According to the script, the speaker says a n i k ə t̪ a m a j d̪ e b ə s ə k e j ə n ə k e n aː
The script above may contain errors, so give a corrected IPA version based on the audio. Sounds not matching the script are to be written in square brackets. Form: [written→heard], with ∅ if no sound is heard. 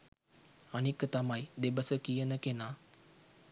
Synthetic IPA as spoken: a n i k ə t̪ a m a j d̪ e b ə s ə k [e→i] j ə n ə k e n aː